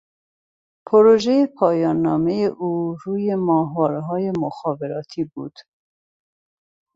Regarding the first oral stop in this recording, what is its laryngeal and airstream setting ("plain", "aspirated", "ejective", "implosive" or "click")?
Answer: aspirated